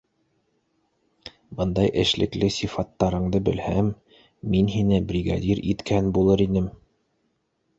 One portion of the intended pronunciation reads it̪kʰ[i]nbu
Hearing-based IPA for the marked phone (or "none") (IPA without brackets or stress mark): æ